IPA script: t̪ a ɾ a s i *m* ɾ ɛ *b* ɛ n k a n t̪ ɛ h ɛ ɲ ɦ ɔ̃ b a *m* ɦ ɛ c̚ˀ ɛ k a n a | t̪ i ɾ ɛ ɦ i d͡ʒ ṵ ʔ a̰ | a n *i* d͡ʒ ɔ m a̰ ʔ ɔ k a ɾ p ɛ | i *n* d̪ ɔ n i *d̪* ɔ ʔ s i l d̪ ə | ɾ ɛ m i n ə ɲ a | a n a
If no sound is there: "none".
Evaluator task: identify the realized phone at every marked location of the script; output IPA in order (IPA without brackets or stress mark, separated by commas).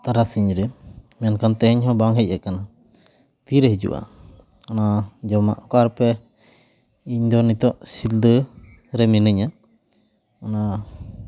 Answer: ɲ, m, ŋ, a, ɲ, t̪